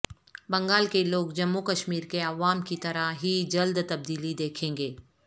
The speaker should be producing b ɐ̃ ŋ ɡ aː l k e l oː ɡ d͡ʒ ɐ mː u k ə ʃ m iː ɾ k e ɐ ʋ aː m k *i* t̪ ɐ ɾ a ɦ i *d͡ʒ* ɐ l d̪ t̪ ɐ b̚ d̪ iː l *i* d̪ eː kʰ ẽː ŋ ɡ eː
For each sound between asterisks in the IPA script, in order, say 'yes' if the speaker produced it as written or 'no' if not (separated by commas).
yes, yes, yes